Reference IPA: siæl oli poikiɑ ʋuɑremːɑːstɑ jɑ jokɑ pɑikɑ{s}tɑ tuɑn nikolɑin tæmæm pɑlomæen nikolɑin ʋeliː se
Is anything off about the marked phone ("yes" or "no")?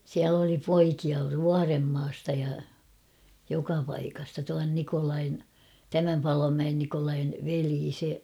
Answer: no